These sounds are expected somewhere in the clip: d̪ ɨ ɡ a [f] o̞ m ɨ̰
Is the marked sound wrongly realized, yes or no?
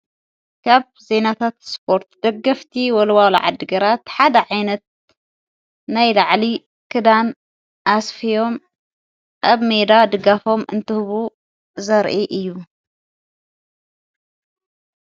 no